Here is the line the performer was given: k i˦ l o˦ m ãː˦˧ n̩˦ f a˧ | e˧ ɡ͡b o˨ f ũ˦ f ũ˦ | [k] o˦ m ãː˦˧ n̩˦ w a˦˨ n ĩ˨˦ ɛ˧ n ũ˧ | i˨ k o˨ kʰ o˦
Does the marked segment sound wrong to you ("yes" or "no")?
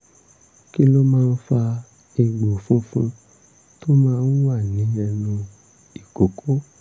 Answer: yes